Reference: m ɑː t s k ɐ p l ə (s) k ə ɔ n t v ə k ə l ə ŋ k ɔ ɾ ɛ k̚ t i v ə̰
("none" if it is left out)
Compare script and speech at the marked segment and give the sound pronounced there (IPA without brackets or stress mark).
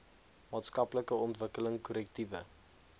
none